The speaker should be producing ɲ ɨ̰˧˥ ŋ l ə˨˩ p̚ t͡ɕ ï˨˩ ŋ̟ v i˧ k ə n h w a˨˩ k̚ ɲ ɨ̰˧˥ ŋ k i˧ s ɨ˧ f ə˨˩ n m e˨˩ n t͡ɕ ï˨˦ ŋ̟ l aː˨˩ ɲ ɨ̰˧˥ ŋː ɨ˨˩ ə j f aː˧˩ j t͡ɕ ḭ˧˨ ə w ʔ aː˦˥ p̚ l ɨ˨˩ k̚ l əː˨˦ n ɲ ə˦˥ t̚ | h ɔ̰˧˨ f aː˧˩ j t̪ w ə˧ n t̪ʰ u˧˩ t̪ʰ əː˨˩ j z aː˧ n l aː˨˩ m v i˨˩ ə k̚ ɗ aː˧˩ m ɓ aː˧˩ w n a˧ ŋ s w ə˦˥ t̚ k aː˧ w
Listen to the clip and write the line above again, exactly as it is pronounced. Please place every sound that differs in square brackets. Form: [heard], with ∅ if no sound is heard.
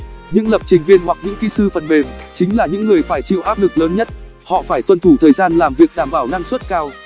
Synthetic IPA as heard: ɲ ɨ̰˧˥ ŋ l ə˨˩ p̚ t͡ɕ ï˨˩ ŋ̟ v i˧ [∅] ə n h w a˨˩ k̚ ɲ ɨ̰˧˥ ŋ k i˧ s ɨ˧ f ə˨˩ n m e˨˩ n t͡ɕ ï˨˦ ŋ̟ l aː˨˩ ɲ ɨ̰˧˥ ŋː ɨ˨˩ ə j f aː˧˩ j t͡ɕ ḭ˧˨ ə w ʔ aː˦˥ p̚ l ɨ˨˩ k̚ l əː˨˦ n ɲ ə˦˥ t̚ | h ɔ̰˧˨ f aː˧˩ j t̪ w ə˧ n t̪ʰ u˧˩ t̪ʰ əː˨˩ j z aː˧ n l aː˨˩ m v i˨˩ ə k̚ ɗ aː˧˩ m ɓ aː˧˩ w n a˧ ŋ s w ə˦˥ t̚ k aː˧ w